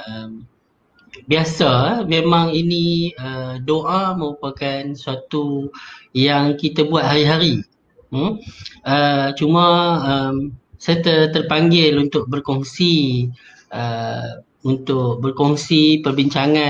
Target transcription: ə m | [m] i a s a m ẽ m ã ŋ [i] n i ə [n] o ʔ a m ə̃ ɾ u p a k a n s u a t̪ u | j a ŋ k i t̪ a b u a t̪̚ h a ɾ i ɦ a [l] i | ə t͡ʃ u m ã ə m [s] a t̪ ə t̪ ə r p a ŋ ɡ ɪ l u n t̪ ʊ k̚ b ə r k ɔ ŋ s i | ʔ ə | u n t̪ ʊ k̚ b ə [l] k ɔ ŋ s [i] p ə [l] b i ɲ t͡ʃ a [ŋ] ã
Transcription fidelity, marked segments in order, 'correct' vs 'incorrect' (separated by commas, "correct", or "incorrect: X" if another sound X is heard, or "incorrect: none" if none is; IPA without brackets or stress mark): incorrect: b, correct, incorrect: d, incorrect: ɾ, correct, incorrect: r, correct, incorrect: r, correct